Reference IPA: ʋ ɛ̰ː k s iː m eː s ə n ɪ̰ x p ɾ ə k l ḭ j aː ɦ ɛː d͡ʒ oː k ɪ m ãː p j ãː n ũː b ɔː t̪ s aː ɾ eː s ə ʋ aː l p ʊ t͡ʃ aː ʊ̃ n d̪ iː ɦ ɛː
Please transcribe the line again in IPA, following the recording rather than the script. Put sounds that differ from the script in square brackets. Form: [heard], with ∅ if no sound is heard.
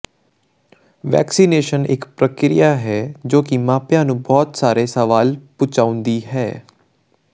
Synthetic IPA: ʋ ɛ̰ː k s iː [n] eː [ʃ] ə n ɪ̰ [k] p ɾ ə k [ɾ] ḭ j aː ɦ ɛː d͡ʒ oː k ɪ m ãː p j ãː n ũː b ɔː t̪ s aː ɾ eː s ə ʋ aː l p ʊ t͡ʃ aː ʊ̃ n d̪ iː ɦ ɛː